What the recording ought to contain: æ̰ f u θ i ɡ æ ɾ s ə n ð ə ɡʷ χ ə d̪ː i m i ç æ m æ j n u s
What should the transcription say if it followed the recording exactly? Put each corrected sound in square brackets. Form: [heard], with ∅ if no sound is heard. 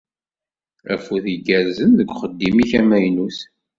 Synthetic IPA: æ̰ f u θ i ɡ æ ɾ [z] ə n ð ə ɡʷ χ ə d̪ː i m i ç æ m æ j n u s

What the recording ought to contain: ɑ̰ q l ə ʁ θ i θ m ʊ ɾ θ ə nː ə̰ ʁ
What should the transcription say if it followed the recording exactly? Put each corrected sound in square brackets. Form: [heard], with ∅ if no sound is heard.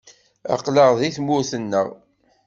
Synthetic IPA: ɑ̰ q l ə ʁ [ð] i θ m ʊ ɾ θ ə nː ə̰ ʁ

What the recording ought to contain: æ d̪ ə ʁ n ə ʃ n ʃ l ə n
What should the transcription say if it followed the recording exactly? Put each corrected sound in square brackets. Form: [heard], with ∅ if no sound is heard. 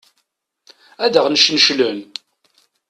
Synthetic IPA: æ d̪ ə ʁ n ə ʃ n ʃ l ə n

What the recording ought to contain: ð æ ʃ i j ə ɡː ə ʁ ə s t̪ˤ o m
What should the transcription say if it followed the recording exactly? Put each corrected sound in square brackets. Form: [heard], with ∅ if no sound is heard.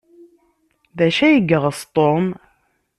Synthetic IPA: ð æ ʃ [æ] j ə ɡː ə ʁ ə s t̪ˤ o m

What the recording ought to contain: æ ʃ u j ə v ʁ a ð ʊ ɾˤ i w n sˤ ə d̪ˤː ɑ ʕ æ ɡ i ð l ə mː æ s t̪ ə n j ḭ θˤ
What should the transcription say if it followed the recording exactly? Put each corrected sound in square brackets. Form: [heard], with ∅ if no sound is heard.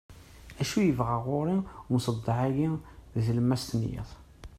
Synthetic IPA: æ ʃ u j ə v ʁ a [ʁ] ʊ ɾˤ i w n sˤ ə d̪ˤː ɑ ʕ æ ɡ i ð l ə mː æ s t̪ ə n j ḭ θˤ

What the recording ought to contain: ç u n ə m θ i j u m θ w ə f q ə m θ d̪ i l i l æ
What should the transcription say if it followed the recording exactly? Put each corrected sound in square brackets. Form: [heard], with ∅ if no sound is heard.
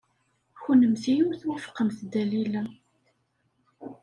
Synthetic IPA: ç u n ə m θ i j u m θ w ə f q ə m θ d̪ [æ] l i l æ

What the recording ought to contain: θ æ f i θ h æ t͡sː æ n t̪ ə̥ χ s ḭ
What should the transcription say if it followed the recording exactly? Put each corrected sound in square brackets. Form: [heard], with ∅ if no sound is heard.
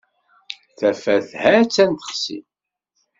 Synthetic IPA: θ æ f [æ] θ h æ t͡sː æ n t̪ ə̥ χ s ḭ

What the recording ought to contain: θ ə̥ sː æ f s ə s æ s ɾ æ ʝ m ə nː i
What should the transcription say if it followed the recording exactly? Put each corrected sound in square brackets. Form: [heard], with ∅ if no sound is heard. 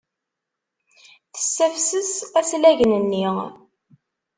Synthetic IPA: θ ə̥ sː æ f s ə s æ s [l] æ ʝ [n] ə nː i

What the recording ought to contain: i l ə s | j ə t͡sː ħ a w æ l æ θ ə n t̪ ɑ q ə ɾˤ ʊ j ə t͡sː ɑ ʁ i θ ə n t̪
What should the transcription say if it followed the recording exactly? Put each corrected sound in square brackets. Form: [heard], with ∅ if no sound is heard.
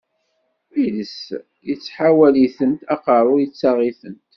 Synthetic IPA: i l ə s | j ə t͡sː ħ a w æ l [i] θ ə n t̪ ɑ q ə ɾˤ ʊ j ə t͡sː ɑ ʁ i θ ə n t̪

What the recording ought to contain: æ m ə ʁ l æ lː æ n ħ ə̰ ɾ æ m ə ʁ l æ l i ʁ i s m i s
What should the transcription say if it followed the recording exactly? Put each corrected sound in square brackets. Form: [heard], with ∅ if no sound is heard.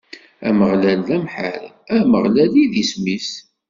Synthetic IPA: æ m ə ʁ l æ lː æ [m] ħ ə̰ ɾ æ m ə ʁ l æ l i [ð] i s m i s

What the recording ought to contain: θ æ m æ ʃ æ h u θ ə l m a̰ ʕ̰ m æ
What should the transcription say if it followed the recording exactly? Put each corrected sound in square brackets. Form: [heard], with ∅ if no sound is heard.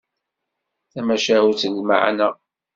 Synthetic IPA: θ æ m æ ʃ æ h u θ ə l m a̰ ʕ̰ [n] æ

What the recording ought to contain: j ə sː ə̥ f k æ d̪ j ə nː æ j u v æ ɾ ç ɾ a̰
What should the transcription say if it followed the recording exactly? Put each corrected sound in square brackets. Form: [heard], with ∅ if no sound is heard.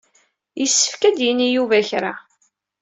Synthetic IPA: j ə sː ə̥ f k æ d̪ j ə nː [i] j u v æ [∅] ç ɾ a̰

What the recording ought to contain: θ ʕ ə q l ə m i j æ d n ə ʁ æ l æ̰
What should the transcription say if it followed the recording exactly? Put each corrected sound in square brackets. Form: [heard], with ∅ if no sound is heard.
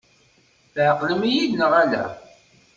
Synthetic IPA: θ ʕ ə q l ə m i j [i] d n ə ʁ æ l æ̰

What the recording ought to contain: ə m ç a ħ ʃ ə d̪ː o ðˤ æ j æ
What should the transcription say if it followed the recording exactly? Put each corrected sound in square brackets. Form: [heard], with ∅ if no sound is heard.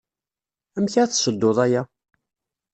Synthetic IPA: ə m ç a [θ] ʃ ə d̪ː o ðˤ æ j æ

